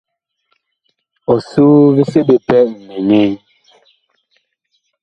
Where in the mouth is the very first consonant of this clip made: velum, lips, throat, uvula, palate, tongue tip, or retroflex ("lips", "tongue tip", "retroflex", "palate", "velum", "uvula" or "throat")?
tongue tip